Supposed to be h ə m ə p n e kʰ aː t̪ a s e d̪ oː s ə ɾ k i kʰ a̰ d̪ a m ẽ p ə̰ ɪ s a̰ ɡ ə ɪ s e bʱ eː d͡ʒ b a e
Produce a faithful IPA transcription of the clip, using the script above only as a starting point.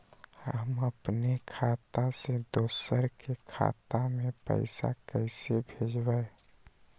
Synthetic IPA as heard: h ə m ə p n e kʰ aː t̪ a s e d̪ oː s ə ɾ k e kʰ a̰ t̪ a m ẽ p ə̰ ɪ s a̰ k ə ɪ s e bʱ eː d͡ʒ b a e